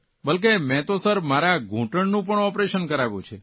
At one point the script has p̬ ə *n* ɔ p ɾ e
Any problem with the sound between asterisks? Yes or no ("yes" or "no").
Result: yes